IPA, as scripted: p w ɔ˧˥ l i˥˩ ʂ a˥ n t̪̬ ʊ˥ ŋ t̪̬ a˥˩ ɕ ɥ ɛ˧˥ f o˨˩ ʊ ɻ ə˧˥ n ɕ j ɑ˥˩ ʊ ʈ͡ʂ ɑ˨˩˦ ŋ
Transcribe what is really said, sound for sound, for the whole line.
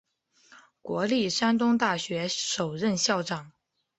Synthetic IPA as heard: k w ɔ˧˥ l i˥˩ ʂ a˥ n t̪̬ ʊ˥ ŋ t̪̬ a˥˩ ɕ ɥ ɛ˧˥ ʂ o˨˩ ʊ ɻ ə˥˧ n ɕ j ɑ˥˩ ʊ ʈ͡ʂ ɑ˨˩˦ ŋ